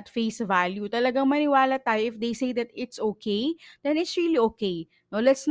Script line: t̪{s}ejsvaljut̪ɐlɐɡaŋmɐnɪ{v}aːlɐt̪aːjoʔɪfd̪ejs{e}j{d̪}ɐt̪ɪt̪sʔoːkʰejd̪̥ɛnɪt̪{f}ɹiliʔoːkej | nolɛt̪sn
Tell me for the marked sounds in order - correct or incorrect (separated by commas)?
incorrect, incorrect, correct, correct, incorrect